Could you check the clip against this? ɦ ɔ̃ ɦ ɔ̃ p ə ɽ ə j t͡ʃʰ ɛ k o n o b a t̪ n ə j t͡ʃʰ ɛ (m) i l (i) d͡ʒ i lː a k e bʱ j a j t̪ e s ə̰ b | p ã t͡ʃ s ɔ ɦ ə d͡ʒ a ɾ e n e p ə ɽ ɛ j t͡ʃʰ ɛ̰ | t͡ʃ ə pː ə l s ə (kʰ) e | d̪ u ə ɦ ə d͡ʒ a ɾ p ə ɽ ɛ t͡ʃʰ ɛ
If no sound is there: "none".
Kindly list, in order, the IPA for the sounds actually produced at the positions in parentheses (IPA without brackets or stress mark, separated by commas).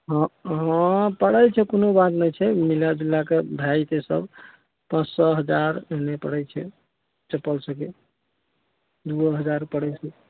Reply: m, a, k